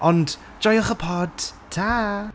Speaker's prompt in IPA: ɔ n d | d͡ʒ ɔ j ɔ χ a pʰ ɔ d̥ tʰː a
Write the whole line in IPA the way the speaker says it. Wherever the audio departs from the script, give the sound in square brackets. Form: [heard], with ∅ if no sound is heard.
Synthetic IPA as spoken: ɔ n d | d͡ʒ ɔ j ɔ χ [ə] pʰ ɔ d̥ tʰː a